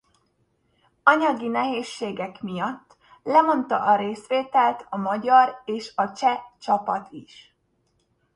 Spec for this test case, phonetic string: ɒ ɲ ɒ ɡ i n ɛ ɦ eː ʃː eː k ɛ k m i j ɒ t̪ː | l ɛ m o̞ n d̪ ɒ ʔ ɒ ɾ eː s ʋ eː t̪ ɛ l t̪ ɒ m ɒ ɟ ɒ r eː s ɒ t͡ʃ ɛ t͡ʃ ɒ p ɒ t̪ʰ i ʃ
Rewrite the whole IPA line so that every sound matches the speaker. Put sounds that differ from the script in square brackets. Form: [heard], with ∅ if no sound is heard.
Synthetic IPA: ɒ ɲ ɒ ɡ i n ɛ ɦ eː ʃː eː [ɡ] ɛ k m i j ɒ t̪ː | l ɛ m o̞ n [t̪] ɒ ʔ ɒ ɾ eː s ʋ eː t̪ ɛ l t̪ ɒ m ɒ ɟ ɒ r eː [ʃ] ɒ t͡ʃ ɛ t͡ʃ ɒ p ɒ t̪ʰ i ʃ